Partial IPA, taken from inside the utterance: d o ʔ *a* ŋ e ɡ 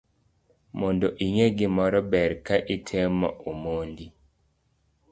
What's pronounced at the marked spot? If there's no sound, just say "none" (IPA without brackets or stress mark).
i